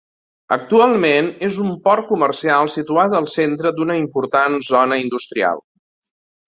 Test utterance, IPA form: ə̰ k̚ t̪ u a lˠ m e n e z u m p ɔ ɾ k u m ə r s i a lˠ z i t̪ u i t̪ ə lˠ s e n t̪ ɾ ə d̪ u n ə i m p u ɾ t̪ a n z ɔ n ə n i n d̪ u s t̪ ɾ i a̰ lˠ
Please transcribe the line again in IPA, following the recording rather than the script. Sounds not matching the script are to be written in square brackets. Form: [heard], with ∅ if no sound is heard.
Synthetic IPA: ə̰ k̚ t̪ u a lˠ m e n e z u m p ɔ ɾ k u m ə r s i a lˠ [s] i t̪ u [a] t̪ ə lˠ s e n t̪ ɾ ə d̪ u n ə i m p u ɾ t̪ a n z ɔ n ə [∅] i n d̪ u s t̪ ɾ i a̰ lˠ